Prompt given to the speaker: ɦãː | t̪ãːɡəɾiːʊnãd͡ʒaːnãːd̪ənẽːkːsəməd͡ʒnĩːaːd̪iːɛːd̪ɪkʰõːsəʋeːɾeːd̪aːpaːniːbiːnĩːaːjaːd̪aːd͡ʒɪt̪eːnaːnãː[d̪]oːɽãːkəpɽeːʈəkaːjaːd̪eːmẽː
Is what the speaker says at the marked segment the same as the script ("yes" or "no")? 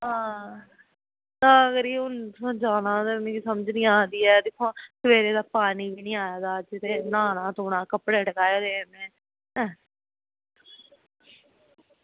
no